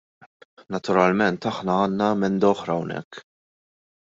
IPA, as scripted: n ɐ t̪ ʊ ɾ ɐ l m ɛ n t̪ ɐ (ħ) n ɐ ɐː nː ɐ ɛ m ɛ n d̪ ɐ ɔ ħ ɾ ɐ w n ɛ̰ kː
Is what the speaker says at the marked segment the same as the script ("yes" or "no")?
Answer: yes